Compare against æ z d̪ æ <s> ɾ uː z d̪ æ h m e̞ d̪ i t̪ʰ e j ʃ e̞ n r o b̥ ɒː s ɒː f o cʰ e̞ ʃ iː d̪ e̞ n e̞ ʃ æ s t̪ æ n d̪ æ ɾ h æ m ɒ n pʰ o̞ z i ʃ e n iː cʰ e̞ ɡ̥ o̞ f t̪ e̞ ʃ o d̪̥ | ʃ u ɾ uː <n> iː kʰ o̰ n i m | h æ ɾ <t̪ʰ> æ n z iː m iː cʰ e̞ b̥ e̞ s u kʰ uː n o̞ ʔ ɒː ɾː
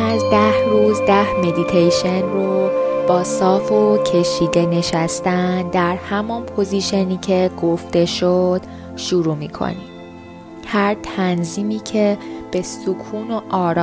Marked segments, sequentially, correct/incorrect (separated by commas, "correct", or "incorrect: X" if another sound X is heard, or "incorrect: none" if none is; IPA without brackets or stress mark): incorrect: h, incorrect: m, correct